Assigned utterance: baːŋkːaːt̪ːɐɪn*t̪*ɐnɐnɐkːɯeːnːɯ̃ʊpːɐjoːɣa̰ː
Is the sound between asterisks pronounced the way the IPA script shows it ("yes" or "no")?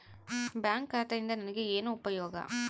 no